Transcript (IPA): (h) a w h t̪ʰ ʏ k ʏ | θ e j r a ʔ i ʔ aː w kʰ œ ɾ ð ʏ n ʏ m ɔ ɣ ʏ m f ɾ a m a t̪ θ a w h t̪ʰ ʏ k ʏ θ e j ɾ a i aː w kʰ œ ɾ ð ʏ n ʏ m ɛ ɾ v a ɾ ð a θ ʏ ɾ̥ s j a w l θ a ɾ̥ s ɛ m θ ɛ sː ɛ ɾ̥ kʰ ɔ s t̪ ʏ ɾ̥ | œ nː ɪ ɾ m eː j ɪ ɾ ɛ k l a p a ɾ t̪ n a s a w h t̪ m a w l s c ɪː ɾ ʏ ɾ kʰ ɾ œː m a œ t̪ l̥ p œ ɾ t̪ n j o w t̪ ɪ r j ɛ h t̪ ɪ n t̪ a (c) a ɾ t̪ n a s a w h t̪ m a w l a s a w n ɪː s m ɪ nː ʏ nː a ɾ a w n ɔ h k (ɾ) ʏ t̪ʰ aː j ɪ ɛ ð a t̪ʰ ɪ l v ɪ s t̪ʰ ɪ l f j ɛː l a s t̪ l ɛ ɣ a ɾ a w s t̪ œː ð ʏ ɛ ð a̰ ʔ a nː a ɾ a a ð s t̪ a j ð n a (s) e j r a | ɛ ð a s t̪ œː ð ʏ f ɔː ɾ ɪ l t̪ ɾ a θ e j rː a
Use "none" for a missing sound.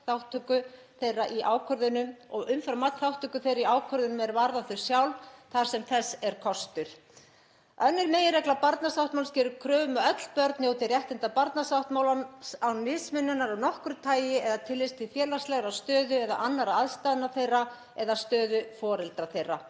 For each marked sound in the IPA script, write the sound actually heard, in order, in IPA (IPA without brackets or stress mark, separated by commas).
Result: θ, p, ɾ, θ